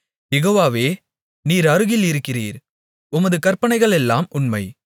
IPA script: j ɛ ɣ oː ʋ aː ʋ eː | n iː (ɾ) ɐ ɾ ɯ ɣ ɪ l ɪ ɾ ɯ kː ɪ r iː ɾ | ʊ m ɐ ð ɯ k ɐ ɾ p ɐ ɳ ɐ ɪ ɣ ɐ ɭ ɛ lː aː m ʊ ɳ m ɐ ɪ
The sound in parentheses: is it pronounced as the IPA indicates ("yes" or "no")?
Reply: yes